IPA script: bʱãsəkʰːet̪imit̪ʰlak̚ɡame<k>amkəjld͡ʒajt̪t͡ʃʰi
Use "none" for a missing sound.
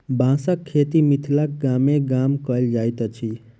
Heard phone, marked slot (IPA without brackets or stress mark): ɡ